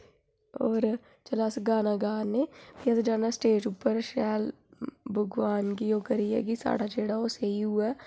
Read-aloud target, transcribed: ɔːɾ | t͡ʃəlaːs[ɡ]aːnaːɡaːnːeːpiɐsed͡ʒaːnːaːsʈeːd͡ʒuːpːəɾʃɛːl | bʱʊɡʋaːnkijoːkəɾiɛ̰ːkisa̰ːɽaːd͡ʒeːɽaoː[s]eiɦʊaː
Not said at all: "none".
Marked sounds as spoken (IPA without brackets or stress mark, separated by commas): ɡ, s